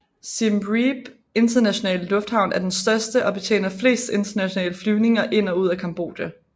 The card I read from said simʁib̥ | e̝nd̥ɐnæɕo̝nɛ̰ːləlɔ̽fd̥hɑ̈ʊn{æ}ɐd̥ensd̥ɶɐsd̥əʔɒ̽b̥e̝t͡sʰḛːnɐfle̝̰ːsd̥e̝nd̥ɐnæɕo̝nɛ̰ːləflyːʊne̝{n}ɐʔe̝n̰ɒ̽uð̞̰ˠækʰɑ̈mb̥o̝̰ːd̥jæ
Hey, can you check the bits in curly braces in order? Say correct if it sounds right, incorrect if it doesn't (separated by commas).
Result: correct, incorrect